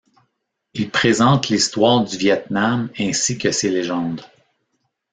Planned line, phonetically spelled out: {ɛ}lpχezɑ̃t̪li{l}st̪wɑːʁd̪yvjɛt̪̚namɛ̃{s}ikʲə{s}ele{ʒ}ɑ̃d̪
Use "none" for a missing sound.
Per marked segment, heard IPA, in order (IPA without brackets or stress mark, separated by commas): i, none, s, s, ʒ